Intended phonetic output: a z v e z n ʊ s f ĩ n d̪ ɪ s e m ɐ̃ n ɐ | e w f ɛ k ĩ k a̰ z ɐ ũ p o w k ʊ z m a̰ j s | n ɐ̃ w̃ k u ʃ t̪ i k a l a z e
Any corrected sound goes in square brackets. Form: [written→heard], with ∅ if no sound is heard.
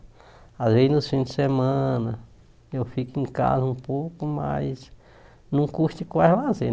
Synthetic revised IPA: a z v e z n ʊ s f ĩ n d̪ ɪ s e m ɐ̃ n ɐ | e w f [ɛ→i] k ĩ k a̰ z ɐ ũ p o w k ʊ [z→∅] m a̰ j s | n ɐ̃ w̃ k u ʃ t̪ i k a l a z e